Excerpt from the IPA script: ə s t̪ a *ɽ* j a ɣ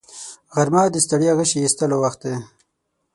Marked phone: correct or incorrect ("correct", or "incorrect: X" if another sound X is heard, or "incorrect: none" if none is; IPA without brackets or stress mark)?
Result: correct